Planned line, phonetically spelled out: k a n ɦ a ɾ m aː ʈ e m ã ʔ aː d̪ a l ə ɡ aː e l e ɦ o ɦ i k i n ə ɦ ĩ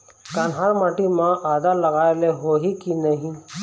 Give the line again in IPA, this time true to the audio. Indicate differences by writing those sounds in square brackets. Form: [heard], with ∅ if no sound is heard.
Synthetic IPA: k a n ɦ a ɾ m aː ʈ [i] m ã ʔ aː d̪ a l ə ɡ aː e l e ɦ o ɦ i k i n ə ɦ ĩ